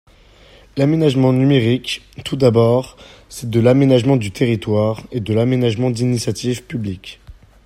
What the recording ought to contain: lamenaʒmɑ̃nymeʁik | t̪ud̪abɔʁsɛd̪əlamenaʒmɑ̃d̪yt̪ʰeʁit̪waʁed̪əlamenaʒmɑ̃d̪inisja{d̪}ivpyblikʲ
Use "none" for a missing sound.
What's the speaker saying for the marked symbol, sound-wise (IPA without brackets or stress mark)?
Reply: t̪